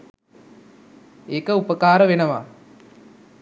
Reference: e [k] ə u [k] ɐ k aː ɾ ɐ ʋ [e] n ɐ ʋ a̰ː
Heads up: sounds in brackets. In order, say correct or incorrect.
correct, incorrect: p, correct

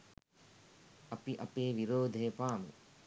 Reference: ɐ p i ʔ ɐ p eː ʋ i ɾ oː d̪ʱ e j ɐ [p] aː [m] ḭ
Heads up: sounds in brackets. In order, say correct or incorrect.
correct, correct

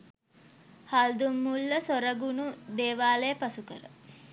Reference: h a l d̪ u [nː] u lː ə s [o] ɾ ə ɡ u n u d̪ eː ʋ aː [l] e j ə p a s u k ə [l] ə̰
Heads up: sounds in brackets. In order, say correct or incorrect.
incorrect: mː, correct, correct, incorrect: ɾ

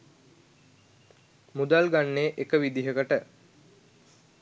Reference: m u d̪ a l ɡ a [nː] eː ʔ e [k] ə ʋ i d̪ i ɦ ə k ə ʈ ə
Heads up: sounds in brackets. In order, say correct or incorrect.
correct, correct

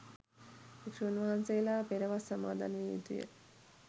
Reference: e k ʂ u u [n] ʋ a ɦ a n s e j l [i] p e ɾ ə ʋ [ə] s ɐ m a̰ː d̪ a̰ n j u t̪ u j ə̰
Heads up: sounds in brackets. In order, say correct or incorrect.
correct, incorrect: a, incorrect: a

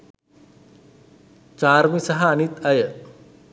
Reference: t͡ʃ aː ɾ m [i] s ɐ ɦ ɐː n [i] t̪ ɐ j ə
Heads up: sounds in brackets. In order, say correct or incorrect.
correct, correct

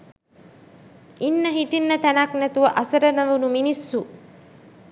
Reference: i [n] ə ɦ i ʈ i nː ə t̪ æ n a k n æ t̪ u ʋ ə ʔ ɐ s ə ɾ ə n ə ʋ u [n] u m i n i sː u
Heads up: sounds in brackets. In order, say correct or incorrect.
incorrect: nː, correct

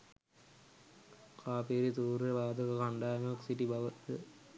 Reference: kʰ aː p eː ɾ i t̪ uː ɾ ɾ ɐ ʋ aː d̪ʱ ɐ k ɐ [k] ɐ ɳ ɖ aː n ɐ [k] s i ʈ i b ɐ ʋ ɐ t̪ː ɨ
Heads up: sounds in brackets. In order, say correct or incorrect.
correct, correct

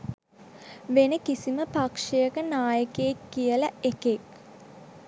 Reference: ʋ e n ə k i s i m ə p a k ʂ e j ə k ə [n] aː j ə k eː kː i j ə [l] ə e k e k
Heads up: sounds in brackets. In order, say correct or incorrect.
correct, correct

